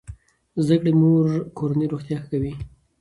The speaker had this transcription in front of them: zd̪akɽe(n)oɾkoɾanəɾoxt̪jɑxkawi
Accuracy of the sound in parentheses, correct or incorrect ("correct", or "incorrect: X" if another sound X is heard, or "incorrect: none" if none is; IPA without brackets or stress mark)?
incorrect: m